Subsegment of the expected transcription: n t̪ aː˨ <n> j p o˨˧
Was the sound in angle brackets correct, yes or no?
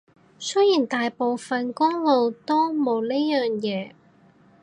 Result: no